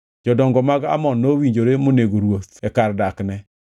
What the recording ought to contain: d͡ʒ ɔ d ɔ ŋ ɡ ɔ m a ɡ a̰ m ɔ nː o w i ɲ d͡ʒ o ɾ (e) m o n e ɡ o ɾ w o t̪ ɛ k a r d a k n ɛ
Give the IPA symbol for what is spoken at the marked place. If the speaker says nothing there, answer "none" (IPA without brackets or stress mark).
e